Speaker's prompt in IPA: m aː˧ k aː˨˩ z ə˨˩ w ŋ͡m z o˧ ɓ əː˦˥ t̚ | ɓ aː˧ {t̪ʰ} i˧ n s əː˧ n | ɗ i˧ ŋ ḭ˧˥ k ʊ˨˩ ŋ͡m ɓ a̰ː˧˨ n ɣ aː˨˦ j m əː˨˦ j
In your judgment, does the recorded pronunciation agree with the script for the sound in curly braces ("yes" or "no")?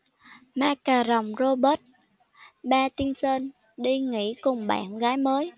no